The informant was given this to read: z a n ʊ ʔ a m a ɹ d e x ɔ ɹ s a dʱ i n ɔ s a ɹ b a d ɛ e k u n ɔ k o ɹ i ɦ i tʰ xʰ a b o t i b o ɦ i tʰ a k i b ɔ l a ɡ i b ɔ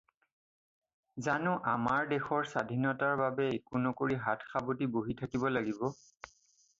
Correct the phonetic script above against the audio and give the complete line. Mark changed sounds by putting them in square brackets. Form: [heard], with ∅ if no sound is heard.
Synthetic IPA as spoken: z a n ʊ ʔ a m a ɹ d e x ɔ ɹ s a dʱ i n ɔ [t] a ɹ b a [b] ɛ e k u n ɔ k o ɹ i ɦ [a] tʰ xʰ a b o t i b o ɦ i tʰ a k i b ɔ l a ɡ i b ɔ